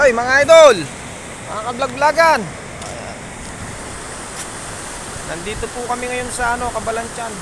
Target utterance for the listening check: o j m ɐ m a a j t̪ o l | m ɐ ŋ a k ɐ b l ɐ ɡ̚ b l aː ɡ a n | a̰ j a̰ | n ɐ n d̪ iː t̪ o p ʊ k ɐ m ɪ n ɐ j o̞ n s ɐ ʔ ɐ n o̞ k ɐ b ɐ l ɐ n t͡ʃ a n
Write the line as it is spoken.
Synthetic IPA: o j m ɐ ŋ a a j d̪ o l | m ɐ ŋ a k ɐ b l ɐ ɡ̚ b l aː ɡ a n | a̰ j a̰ | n ɐ n d̪ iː t̪ o p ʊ k ɐ m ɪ ŋ ɐ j o̞ n s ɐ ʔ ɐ n o̞ k ɐ b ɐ l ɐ n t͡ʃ a n